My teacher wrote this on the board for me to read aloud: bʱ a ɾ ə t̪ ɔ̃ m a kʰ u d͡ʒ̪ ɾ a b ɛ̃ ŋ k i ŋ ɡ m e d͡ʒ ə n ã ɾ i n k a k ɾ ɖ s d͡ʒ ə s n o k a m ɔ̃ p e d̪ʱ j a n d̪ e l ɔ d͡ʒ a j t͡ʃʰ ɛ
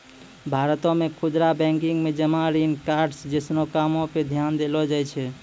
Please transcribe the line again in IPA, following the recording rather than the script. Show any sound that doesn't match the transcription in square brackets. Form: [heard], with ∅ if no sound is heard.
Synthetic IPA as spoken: bʱ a ɾ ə t̪ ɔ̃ m [e] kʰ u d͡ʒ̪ ɾ a b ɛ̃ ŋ k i ŋ ɡ m e d͡ʒ ə [m] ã ɾ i n k a [∅] ɾ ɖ s d͡ʒ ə s n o k a m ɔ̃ p e d̪ʱ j a n d̪ e l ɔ d͡ʒ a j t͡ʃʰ ɛ